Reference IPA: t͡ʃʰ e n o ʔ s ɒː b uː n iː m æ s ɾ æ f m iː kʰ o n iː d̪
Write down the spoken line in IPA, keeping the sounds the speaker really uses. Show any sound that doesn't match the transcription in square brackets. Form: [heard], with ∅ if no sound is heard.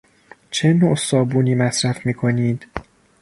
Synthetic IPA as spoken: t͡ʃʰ e n o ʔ s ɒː b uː n iː m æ s ɾ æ f m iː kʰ o n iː d̪